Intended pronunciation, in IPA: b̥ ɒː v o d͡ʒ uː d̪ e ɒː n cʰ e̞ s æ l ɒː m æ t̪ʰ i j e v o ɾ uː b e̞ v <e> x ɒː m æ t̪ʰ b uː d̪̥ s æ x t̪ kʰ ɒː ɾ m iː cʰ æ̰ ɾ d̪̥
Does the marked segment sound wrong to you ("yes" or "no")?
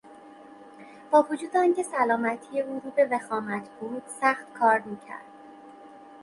no